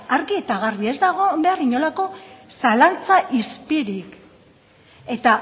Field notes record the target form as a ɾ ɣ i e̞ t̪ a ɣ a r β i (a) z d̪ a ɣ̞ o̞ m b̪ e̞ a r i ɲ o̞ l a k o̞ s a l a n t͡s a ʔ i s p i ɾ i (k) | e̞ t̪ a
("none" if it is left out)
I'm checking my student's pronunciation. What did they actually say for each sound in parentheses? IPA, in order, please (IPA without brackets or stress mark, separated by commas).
e, k